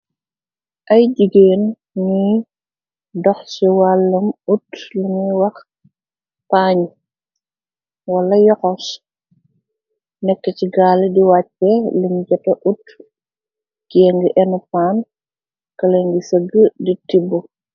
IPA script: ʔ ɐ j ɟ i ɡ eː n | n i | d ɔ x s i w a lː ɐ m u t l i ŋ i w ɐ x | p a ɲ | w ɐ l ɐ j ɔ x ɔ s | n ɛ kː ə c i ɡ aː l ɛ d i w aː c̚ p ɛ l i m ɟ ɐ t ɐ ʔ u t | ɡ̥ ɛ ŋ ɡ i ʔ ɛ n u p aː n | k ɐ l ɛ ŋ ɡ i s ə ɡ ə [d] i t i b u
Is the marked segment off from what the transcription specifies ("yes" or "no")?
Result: no